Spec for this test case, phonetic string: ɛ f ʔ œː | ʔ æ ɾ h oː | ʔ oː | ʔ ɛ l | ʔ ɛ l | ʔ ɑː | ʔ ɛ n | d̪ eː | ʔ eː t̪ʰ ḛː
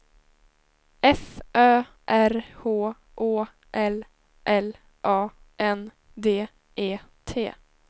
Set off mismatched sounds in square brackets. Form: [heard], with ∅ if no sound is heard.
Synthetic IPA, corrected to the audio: ɛ f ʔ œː | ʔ æ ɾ h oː | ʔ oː | ʔ ɛ l | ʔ ɛ l | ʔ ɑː | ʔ ɛ n | d̪ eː | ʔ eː t̪ʰ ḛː